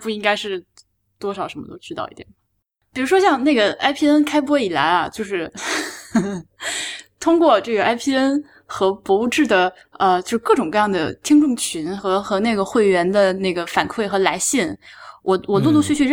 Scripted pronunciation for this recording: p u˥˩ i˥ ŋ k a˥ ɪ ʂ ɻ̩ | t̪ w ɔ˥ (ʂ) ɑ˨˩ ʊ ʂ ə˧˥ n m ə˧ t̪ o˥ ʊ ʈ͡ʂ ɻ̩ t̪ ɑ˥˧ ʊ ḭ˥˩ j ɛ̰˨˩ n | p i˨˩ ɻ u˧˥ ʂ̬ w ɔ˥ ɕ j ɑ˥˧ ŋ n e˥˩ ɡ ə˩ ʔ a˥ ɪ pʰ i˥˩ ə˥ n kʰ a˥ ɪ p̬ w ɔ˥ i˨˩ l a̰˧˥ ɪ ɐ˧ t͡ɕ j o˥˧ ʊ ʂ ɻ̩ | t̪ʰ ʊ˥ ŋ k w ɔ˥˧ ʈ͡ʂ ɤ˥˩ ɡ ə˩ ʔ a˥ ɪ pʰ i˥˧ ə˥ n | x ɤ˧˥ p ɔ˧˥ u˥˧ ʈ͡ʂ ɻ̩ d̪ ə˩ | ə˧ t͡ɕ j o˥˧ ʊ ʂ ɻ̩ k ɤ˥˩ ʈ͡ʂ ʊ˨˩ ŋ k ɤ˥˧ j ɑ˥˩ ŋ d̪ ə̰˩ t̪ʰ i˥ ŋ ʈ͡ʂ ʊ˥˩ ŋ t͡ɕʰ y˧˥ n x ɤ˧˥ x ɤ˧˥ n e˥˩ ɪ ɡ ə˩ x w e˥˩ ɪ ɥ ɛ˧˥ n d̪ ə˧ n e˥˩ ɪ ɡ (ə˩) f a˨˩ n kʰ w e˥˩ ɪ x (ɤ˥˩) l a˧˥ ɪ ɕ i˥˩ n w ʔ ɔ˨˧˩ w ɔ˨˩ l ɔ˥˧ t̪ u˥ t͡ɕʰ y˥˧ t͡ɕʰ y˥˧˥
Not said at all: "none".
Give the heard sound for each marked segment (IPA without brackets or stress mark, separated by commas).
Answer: ʂ, ə˩, ɤ˧˥